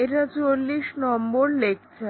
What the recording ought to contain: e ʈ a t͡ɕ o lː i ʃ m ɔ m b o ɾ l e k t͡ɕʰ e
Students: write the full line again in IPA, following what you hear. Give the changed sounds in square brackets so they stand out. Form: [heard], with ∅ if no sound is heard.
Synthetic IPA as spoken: e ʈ a t͡ɕ o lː i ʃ [n] ɔ m b o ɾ l e k t͡ɕʰ e